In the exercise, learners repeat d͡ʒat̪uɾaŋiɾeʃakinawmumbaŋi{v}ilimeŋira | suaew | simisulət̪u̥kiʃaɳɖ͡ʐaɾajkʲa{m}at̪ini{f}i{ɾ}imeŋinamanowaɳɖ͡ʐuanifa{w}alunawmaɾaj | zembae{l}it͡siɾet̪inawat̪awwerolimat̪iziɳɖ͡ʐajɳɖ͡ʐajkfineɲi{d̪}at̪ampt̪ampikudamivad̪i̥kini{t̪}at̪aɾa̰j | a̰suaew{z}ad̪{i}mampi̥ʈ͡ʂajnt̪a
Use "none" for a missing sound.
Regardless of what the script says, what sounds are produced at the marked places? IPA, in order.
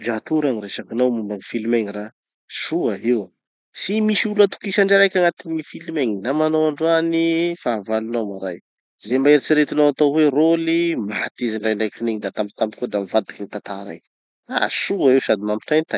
f, ŋ, f, l, v, ɾ, d̪, t̪, s, i

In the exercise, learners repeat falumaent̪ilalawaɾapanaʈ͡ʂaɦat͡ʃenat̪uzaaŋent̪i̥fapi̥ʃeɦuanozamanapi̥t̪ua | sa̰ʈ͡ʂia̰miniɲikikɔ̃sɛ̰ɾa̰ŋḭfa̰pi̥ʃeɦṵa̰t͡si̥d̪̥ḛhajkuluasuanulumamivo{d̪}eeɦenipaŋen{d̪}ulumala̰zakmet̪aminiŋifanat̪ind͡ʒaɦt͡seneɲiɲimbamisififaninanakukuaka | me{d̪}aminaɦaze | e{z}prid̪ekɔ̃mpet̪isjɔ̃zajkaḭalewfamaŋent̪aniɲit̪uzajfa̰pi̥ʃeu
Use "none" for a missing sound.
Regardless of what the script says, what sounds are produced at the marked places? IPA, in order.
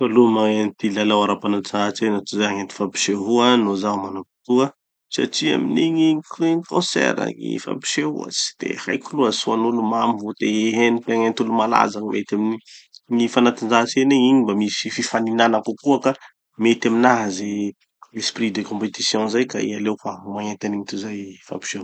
t̪, t̪, t̪, s

